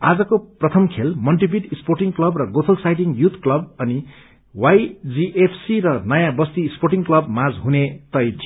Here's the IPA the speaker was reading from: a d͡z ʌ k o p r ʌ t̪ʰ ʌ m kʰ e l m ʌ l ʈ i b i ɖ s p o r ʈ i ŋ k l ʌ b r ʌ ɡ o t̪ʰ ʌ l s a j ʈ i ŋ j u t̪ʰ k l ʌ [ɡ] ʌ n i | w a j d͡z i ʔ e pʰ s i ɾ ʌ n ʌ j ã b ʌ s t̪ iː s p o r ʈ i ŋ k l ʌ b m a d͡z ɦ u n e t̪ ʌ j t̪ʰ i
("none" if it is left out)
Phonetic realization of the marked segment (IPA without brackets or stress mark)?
b